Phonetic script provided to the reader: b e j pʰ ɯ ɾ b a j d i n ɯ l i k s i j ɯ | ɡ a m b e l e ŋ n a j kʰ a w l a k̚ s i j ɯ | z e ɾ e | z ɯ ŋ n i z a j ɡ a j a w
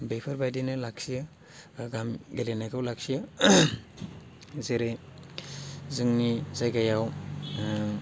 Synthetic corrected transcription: b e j pʰ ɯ ɾ b a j d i n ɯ l a k s i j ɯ | ɡ a m ɡ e l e n a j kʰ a w l a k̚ s i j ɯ | z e ɾ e | z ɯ ŋ n i z a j ɡ a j a w